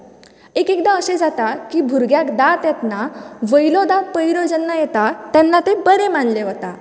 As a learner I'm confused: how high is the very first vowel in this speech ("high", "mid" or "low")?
mid